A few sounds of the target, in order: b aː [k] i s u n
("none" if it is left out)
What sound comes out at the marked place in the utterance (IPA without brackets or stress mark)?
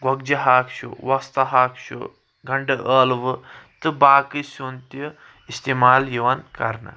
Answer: k